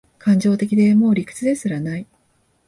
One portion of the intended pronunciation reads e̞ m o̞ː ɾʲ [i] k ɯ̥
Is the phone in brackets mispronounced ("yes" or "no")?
no